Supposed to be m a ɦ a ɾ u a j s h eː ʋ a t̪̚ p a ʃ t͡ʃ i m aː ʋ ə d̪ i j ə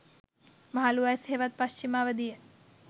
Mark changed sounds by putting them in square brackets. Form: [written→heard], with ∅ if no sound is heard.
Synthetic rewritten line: m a ɦ a [ɾ→l] u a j s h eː ʋ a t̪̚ p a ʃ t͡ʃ i m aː ʋ ə d̪ i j ə

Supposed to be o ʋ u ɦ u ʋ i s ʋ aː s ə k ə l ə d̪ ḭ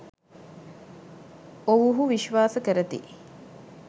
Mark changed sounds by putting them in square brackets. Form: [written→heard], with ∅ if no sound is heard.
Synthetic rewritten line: o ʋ u ɦ u ʋ i [s→ʃ] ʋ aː s ə k ə [l→ɾ] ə [d̪→t̪] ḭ

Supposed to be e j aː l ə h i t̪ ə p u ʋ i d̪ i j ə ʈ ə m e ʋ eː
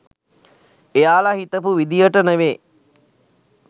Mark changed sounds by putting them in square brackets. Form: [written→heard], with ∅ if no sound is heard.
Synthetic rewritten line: e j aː l [ə→a] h i t̪ ə p u ʋ i d̪ i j ə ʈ ə [m→n] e ʋ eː

